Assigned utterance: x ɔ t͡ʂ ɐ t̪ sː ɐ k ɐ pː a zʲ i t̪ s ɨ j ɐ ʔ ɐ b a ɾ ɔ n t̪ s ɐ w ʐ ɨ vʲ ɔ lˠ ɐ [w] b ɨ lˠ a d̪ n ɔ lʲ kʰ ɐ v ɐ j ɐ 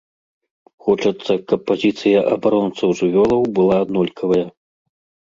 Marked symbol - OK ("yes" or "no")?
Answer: yes